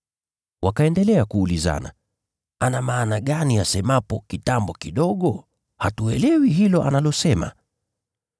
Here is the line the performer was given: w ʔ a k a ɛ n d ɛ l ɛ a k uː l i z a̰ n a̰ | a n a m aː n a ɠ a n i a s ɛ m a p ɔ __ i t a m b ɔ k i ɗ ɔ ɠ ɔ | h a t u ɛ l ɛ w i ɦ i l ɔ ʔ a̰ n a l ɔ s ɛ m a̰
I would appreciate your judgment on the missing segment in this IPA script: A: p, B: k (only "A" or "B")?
B